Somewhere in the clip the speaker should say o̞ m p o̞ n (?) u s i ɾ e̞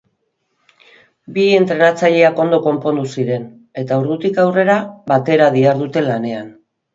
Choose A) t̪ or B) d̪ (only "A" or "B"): B